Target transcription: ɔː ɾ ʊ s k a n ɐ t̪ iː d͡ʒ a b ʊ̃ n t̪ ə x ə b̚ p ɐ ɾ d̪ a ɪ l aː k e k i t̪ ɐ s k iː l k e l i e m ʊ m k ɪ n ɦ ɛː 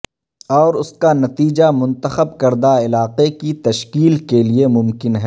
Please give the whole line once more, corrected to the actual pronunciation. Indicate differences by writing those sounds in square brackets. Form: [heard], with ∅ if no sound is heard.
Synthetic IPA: ɔː ɾ ʊ s k a n ɐ t̪ iː d͡ʒ a [m] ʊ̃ n t̪ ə x ə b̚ [k] ɐ ɾ d̪ a ɪ l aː [q] e k i t̪ ɐ [ʃ] k iː l k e l i e m ʊ m k ɪ n ɦ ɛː